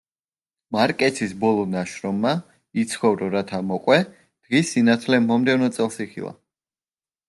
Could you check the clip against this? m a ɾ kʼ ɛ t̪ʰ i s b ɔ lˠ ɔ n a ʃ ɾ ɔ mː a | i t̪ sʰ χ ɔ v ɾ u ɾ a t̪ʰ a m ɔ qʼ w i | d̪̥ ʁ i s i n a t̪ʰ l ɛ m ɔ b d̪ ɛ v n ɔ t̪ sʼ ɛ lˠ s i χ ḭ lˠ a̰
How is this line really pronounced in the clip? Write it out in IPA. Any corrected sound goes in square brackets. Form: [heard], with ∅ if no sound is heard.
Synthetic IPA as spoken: m a ɾ kʼ ɛ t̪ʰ i s b ɔ lˠ ɔ n a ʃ ɾ ɔ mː a | i t̪ sʰ χ ɔ v ɾ [ɔ] ɾ a t̪ʰ a m ɔ qʼ w [ɛ] | d̪̥ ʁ i s i n a t̪ʰ l ɛ m ɔ [m] d̪ ɛ v n ɔ t̪ sʼ ɛ lˠ s i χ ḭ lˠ a̰